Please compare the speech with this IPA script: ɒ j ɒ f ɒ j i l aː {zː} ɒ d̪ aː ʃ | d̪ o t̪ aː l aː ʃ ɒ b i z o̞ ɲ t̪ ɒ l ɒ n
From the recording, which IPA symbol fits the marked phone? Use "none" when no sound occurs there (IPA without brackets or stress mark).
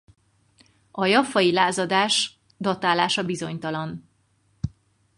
z